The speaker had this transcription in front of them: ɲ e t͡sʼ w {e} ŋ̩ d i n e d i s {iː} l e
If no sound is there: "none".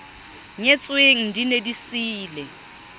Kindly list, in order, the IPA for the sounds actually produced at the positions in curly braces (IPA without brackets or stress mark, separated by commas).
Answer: e, iː